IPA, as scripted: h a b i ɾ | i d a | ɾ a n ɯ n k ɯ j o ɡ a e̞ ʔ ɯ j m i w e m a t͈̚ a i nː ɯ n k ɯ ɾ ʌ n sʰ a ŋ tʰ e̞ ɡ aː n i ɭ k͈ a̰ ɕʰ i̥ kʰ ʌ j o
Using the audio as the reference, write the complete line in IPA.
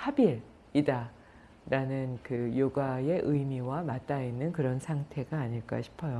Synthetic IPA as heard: h a b i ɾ | i d a | ɾ a n ɯ n k ɯ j o ɡ a e̞ ʔ ɯ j m i w a m a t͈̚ a i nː ɯ n k ɯ ɾ ʌ n sʰ a ŋ tʰ e̞ ɡ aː ɲ i ɭ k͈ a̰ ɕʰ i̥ pʰ ʌ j o